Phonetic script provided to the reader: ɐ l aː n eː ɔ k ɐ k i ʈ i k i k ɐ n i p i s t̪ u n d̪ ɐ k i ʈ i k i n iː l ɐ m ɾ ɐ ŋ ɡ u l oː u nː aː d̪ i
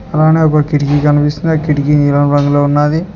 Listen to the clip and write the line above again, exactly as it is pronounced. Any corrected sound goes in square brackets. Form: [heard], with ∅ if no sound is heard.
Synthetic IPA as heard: ɐ l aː n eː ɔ k ɐ k i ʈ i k i k ɐ n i p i s t̪ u n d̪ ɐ k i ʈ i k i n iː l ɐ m ɾ ɐ ŋ ɡ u l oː u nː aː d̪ i